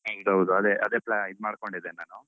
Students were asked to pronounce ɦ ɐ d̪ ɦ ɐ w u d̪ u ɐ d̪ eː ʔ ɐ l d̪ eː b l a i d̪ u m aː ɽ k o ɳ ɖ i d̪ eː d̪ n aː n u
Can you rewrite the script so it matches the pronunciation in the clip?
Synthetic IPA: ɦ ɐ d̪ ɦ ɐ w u d̪ u ɐ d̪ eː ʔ ɐ d̪ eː p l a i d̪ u m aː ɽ k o ɳ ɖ i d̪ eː n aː n u